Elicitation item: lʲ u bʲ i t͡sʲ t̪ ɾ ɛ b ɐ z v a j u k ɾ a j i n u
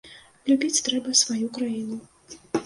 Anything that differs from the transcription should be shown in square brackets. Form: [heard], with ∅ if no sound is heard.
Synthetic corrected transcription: lʲ u bʲ i t͡sʲ t̪ ɾ ɛ b ɐ [s] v a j u k ɾ a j i n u